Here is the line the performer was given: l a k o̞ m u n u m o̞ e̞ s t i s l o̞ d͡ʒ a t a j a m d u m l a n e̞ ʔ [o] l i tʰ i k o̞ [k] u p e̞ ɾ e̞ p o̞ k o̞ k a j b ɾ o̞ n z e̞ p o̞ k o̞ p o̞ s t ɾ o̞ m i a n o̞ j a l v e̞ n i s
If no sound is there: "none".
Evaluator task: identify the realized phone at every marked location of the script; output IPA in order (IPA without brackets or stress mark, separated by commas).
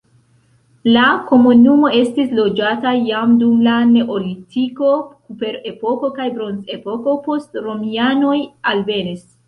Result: o, k